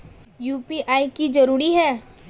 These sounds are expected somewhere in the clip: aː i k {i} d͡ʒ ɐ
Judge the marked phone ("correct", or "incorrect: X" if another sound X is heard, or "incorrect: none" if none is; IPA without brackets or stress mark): correct